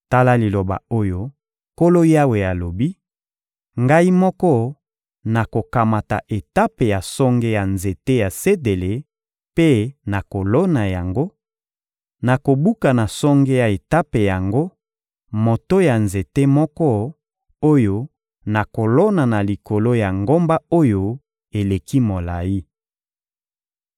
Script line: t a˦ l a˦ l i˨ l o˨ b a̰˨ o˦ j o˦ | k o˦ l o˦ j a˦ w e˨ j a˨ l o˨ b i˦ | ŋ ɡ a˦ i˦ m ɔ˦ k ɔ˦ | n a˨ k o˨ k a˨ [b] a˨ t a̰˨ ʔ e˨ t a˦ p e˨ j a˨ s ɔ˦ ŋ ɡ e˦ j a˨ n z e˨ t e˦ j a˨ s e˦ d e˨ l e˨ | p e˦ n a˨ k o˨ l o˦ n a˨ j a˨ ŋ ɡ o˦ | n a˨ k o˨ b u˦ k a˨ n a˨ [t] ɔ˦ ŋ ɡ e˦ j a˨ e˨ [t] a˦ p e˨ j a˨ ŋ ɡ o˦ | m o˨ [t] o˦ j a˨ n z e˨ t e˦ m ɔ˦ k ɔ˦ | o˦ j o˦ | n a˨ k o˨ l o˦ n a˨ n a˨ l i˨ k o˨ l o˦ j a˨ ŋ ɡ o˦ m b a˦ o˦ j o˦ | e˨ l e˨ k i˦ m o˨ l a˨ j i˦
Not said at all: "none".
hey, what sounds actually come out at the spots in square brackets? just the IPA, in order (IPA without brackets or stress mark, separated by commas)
m, s, t, t